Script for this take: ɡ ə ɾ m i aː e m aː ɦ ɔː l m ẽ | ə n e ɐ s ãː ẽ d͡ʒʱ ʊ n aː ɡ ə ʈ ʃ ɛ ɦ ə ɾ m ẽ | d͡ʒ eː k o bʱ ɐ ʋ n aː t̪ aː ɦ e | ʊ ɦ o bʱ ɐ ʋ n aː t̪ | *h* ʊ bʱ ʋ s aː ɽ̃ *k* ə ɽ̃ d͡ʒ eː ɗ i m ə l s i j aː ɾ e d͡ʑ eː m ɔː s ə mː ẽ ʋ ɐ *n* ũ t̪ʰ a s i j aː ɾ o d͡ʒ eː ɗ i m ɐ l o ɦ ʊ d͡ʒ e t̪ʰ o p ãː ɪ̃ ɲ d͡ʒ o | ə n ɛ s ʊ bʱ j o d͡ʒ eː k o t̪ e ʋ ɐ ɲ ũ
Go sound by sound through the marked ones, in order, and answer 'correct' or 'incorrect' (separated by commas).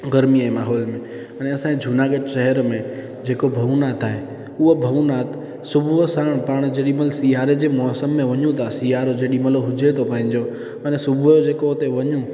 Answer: incorrect, incorrect, incorrect